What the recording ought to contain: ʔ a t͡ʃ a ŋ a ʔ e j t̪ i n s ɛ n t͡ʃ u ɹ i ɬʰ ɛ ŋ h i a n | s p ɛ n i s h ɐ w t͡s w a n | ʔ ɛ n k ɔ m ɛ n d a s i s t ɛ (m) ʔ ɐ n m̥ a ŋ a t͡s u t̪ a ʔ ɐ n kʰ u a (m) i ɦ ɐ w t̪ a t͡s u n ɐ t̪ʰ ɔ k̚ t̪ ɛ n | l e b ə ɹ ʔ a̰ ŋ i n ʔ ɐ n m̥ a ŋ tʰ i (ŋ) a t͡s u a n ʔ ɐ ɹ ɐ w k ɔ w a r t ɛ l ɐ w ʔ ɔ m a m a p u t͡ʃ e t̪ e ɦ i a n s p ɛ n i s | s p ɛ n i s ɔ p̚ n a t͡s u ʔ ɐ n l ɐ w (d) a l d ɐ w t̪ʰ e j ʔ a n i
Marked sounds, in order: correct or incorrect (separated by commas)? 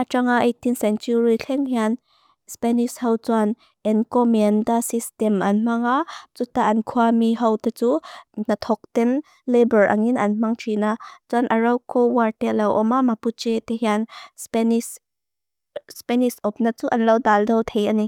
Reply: correct, correct, incorrect, correct